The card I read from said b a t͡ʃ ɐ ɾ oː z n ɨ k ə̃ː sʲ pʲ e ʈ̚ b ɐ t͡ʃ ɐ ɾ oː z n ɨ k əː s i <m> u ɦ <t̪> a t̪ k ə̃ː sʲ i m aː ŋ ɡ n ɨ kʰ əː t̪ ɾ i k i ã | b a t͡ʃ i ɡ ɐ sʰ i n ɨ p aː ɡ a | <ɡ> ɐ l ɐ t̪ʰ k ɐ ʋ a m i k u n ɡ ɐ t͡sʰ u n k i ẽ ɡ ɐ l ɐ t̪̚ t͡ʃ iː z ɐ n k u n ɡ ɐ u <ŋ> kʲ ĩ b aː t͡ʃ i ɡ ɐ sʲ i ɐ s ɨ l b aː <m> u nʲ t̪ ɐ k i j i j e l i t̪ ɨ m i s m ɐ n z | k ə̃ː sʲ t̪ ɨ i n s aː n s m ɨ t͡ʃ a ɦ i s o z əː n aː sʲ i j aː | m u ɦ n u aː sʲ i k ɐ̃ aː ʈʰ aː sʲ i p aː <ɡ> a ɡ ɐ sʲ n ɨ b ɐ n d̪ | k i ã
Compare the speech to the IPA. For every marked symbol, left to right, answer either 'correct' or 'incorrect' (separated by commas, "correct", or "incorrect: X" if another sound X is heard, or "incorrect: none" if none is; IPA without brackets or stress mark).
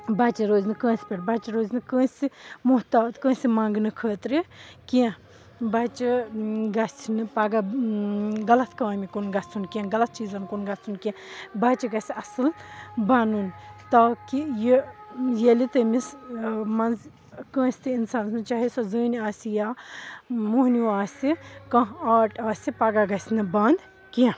correct, correct, correct, incorrect: n, incorrect: n, correct